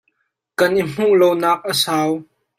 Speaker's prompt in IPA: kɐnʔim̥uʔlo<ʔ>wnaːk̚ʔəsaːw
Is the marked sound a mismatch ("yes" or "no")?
yes